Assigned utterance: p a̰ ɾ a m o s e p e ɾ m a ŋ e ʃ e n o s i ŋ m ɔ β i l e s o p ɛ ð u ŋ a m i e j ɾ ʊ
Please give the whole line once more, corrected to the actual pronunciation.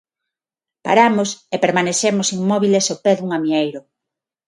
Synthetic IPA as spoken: p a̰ ɾ a m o s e p e ɾ m a n e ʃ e m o s i ŋ m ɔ β i l e s o p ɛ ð u ŋ a m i e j ɾ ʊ